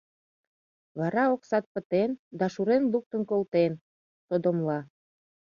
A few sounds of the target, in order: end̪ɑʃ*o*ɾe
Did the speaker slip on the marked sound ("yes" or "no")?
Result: yes